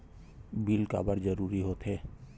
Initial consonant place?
labial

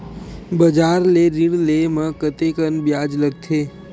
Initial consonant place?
labial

